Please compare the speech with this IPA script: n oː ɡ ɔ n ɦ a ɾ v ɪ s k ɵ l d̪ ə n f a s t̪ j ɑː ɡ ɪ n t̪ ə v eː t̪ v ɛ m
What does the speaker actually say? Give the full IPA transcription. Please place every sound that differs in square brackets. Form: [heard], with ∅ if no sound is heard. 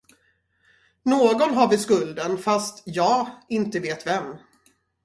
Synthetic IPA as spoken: n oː ɡ ɔ n ɦ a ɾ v ɪ s k ɵ l d̪ ə n f a s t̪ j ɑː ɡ ɪ n t̪ ə v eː t̪ v ɛ m